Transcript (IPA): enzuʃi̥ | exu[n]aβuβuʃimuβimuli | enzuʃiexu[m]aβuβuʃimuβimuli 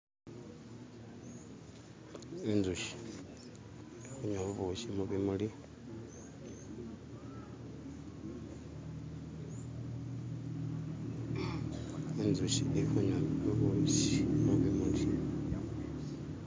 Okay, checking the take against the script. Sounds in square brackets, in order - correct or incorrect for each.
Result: incorrect, incorrect

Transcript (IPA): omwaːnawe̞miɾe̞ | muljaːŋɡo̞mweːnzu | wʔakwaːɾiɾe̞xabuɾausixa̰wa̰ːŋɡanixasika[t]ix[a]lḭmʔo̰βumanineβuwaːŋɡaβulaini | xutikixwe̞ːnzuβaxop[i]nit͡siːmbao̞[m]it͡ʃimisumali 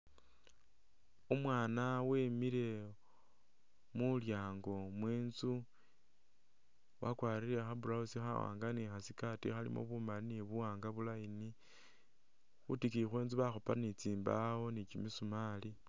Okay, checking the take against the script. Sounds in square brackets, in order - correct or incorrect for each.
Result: correct, correct, incorrect, incorrect

